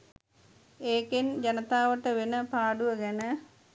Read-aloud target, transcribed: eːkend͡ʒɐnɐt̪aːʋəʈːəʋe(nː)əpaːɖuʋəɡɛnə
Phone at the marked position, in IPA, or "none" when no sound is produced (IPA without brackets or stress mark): n